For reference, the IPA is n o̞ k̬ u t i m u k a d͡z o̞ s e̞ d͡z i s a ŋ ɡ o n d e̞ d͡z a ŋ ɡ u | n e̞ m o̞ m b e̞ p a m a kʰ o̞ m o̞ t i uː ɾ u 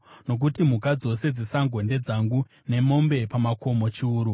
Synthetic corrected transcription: n o̞ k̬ u t i m u k a d͡z o̞ s e̞ d͡z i s a ŋ ɡ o n d e̞ d͡z a ŋ ɡ u | n e̞ m o̞ m b e̞ p a m a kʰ o̞ m o̞ t͡ʃ i uː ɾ u